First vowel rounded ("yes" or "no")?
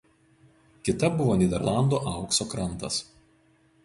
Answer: no